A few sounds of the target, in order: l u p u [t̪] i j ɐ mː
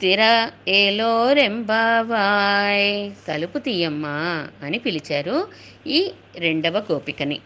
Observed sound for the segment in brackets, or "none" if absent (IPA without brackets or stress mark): t̪